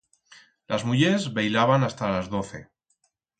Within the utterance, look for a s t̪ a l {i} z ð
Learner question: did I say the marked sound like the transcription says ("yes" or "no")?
no